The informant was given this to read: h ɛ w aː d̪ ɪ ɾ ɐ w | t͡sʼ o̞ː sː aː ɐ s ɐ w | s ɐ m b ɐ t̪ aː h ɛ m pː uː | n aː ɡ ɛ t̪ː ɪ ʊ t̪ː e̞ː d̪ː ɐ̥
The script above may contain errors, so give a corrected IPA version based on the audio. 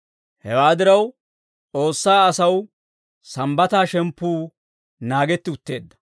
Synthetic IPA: h ɛ w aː d̪ ɪ ɾ ɐ w | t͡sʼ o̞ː sː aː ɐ s ɐ w | s ɐ m b ɐ t̪ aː ʃ ɛ m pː uː | n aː ɡ ɛ t̪ː ɪ ʊ t̪ː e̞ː d̪ː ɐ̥